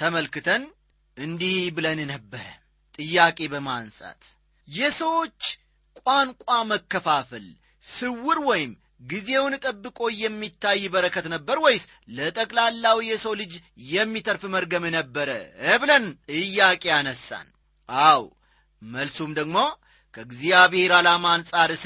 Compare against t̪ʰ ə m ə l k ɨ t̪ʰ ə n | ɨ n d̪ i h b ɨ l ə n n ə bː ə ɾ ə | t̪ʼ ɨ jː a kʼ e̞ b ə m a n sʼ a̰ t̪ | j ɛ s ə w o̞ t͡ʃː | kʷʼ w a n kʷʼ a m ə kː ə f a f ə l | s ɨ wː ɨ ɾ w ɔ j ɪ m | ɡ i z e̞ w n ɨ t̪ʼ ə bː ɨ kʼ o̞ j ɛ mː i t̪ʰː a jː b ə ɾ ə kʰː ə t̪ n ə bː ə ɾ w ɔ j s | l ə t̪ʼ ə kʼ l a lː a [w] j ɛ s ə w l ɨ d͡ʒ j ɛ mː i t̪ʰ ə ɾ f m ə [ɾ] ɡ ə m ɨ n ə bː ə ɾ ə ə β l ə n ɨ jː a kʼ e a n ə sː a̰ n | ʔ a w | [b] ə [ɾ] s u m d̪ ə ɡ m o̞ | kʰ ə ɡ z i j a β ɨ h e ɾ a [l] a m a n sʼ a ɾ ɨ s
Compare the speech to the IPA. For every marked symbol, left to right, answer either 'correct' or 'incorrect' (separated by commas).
correct, correct, incorrect, incorrect, correct